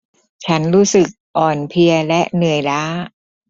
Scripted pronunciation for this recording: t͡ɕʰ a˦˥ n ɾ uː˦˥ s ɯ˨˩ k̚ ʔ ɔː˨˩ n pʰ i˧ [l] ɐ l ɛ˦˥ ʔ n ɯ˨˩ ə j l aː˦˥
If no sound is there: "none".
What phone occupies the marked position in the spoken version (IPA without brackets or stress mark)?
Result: none